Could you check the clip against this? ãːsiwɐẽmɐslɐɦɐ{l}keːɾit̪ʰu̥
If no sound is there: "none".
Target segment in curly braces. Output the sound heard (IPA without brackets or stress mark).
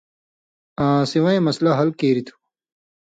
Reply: l